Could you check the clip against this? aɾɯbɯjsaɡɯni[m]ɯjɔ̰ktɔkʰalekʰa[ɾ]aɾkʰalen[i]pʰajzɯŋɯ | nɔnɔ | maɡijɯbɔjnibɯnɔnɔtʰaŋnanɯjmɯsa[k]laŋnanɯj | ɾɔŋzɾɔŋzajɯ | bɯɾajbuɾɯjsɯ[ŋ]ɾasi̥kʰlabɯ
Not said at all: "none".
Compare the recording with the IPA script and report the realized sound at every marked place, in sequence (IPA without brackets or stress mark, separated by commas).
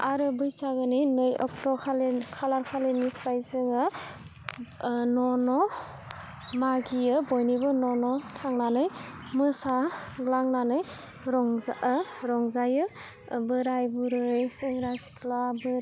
n, l, i, ɡ, ŋ